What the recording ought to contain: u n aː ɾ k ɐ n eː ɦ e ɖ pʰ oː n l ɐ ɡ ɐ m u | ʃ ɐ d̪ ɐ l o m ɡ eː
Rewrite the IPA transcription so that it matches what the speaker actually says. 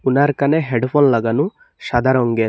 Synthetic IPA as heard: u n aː ɾ k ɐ n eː ɦ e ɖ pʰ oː n l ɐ ɡ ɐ n u | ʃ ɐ d̪ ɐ ɾ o ŋ ɡ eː